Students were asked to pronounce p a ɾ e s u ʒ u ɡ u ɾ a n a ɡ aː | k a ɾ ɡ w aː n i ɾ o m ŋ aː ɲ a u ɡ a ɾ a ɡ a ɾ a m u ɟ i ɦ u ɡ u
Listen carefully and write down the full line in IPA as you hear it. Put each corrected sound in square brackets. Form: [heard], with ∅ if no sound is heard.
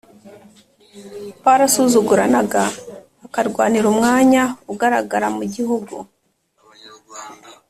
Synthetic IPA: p a ɾ [a] s u [z] u ɡ u ɾ a n a ɡ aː | k a ɾ ɡ w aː n i ɾ [u] m ŋ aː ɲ a u ɡ a ɾ a ɡ a ɾ a m u ɟ i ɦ u ɡ u